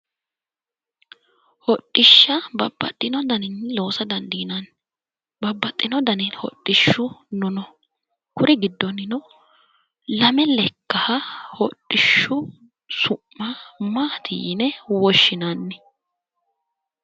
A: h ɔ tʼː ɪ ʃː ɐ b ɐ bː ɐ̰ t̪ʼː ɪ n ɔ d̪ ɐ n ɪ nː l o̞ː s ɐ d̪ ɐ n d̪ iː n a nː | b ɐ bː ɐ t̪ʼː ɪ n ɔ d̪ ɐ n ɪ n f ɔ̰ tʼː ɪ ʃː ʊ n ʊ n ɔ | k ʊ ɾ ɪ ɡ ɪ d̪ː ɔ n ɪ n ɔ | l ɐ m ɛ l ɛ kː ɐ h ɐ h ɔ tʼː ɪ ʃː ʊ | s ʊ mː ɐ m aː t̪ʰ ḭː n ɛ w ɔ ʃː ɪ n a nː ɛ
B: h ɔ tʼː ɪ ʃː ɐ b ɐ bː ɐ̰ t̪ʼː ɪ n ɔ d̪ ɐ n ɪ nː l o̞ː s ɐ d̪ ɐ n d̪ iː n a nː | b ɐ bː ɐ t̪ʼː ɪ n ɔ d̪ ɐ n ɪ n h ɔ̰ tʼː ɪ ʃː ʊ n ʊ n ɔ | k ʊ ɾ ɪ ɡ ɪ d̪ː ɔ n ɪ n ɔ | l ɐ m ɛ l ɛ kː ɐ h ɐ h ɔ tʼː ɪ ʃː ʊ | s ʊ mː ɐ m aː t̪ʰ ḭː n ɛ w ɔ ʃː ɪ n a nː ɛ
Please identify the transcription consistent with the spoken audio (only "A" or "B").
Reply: B